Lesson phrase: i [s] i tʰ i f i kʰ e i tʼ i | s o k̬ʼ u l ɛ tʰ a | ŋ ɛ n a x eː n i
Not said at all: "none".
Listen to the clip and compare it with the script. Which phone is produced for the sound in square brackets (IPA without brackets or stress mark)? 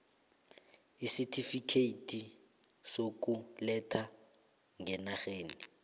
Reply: s